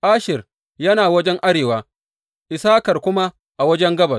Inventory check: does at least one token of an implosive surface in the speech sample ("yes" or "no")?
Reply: no